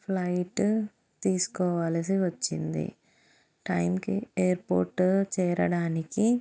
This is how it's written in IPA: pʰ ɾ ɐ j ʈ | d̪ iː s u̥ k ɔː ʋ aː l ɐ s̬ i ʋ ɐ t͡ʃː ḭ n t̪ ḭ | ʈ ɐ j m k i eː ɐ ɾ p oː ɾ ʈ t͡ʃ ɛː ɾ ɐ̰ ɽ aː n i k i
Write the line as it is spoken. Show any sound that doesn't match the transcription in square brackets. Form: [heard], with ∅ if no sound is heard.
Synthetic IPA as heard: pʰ [l] ɐ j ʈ | [t̪] iː s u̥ k ɔː ʋ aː l ɐ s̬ i ʋ ɐ t͡ʃː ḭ n [d̪] ḭ | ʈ ɐ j m k i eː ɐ ɾ p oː ɾ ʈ t͡ʃ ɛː ɾ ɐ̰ ɽ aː n i k i